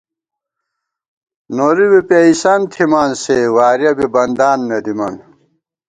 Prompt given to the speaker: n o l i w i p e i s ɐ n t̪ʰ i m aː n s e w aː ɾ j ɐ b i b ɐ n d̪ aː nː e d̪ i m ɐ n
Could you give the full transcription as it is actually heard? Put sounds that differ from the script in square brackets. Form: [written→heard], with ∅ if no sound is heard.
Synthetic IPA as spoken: n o [l→ɾ] i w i p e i s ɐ n t̪ʰ i m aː n s e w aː ɾ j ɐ b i b ɐ n d̪ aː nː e d̪ i m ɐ n